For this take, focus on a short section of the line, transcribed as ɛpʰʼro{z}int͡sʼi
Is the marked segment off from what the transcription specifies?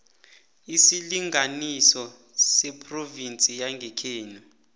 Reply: yes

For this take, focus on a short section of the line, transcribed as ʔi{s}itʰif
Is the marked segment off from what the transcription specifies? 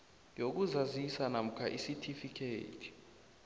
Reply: no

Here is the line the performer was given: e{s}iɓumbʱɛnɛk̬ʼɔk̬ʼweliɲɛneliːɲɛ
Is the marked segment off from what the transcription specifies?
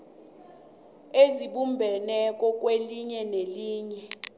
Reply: yes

